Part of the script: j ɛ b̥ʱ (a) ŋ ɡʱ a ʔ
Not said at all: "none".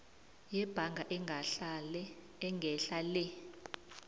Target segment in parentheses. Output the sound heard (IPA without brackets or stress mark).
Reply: a